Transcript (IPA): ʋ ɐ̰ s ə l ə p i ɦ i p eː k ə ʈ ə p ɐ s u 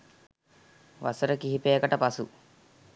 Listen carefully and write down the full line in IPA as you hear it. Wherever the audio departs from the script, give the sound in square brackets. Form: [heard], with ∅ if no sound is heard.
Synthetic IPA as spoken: ʋ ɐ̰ s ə [ɾ] ə [k] i ɦ i p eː k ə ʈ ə p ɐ s u